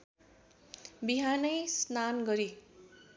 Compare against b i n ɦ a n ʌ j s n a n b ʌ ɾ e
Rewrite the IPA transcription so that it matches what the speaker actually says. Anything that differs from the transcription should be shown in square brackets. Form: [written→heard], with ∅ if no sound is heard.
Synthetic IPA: b i [n→∅] ɦ a n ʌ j s n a n [b→ɡ] ʌ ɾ [e→i]